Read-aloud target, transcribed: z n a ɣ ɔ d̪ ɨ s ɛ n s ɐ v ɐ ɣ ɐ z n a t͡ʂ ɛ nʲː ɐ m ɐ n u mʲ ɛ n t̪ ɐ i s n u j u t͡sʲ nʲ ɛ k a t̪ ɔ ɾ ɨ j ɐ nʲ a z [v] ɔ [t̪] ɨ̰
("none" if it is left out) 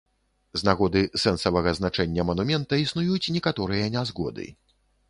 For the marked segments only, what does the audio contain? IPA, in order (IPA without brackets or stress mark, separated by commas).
ɣ, d̪